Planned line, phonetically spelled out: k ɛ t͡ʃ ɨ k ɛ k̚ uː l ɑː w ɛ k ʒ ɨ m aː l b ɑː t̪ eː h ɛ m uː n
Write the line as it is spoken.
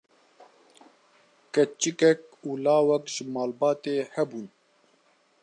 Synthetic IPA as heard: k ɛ t͡ʃ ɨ k ɛ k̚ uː l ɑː w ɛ k ʒ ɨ m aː l b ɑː t̪ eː h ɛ b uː n